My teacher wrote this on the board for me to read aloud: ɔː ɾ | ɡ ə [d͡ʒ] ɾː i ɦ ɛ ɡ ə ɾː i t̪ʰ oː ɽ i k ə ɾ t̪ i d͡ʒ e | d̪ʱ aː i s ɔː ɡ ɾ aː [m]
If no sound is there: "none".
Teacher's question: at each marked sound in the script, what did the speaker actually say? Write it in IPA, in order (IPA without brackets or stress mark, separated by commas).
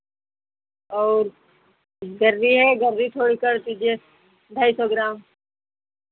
none, m